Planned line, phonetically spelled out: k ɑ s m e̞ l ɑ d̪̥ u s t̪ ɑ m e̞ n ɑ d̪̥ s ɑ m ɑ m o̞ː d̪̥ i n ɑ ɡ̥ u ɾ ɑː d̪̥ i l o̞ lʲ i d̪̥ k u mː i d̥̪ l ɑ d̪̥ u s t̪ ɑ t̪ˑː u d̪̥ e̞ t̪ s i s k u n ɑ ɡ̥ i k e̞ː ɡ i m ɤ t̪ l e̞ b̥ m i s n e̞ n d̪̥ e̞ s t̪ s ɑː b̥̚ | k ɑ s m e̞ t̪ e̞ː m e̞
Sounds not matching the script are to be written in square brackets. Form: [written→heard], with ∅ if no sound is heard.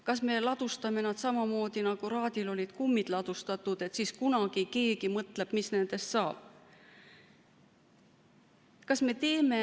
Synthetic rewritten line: k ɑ s m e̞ l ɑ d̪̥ u s t̪ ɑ m e̞ n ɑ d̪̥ s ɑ m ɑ m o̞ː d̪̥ i n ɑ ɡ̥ u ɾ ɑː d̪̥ i l o̞ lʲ i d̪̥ k u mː i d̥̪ l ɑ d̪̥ u s t̪ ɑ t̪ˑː u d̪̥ e̞ t̪ s i s k u n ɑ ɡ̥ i k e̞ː ɡ i m ɤ t̪ l e̞ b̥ m i s n e̞ n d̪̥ e̞ s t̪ s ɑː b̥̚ | k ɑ s m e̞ t̪ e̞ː m e̞